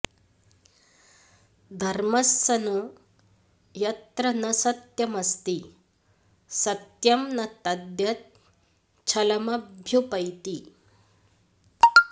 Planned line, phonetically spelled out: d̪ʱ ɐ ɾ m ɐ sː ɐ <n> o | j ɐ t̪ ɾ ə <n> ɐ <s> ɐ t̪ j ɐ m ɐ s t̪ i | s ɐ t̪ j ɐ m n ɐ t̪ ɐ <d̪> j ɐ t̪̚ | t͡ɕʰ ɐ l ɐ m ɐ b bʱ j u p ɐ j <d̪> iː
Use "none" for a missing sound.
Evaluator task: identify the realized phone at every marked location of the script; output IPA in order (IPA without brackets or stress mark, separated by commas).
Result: n, n, s, d̪, t̪